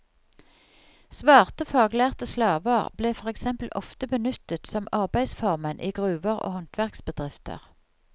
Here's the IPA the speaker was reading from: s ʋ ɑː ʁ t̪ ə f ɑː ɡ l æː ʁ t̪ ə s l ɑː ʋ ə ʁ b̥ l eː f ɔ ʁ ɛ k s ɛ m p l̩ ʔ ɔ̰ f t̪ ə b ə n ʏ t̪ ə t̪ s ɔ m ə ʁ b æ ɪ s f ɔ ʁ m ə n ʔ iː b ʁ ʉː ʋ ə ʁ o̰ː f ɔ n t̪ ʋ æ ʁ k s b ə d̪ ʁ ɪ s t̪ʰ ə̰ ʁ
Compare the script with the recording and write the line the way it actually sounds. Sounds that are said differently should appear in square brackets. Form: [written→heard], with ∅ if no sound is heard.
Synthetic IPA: s ʋ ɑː ʁ t̪ ə f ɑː ɡ l æː ʁ t̪ ə s l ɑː ʋ ə ʁ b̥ l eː f ɔ ʁ ɛ k s ɛ m p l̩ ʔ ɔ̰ f t̪ ə b ə n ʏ t̪ ə t̪ s ɔ m [ə→ɑ] ʁ b æ ɪ s f ɔ ʁ m ə n ʔ iː [b→ɡ] ʁ ʉː ʋ ə ʁ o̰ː [f→h] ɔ n t̪ ʋ æ ʁ k s b ə d̪ ʁ ɪ [s→f] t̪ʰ ə̰ ʁ